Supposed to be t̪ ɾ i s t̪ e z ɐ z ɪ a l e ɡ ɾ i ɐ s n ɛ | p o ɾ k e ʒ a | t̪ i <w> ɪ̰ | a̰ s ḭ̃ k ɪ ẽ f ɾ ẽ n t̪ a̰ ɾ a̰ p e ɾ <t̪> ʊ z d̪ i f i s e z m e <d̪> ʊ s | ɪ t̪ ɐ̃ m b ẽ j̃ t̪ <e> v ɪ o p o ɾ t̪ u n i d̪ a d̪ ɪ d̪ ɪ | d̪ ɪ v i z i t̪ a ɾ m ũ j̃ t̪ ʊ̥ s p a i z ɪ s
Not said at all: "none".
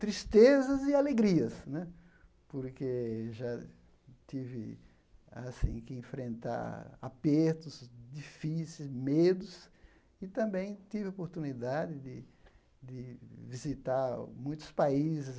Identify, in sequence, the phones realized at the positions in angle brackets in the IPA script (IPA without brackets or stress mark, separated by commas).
v, t̪, d̪, i